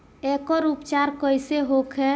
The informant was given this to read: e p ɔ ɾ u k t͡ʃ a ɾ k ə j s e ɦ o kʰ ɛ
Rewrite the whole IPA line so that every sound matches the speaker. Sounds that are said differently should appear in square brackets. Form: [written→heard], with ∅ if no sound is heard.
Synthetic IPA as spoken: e [p→k] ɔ ɾ u [k→p] t͡ʃ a ɾ k ə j s e ɦ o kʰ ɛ